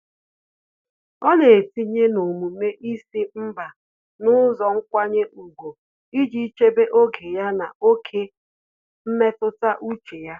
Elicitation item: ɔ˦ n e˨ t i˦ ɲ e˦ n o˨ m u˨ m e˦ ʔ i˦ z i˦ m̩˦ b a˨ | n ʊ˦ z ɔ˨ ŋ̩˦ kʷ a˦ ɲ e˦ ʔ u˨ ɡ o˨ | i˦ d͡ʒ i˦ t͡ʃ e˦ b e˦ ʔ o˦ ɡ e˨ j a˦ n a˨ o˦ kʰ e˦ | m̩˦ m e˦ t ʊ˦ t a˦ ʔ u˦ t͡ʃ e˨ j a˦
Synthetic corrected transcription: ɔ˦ n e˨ t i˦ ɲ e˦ n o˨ m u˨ m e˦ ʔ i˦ s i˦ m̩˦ b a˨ | n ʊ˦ z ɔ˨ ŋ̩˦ kʷ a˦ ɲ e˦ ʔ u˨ ɡ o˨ | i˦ d͡ʒ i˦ t͡ʃ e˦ b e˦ ʔ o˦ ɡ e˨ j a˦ n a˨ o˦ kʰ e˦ | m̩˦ m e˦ t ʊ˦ t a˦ ʔ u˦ t͡ʃ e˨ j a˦